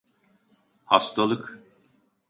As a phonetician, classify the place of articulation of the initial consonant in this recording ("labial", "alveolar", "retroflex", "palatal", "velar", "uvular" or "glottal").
glottal